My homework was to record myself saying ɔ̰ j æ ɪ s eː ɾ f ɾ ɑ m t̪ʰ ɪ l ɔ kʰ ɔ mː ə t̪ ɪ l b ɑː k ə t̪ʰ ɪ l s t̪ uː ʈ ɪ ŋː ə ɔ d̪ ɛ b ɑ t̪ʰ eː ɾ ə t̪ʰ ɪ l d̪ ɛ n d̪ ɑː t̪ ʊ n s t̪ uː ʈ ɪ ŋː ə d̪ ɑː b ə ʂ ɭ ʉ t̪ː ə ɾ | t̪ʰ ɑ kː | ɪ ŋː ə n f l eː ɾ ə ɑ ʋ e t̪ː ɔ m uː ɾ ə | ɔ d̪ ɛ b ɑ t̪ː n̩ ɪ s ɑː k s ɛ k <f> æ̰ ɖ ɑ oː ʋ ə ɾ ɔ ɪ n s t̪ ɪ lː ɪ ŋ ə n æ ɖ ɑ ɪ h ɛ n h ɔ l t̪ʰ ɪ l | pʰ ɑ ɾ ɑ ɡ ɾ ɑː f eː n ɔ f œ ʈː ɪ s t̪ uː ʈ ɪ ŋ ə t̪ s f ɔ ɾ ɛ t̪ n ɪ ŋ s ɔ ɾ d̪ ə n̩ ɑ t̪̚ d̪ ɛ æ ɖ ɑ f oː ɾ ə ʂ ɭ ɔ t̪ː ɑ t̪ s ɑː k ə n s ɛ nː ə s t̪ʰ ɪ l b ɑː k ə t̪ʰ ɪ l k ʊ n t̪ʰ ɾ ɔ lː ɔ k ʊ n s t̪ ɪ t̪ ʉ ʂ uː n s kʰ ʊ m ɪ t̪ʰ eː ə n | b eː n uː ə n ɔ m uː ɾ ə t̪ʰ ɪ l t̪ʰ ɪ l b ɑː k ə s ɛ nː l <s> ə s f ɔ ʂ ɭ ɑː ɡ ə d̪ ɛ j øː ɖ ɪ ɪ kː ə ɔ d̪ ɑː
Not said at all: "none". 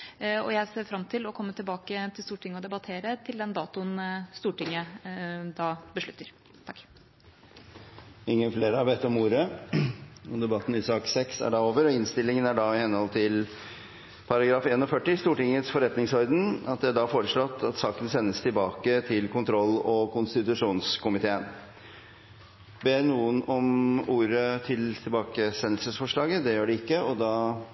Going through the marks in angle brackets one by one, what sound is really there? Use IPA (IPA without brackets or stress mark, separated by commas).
s, s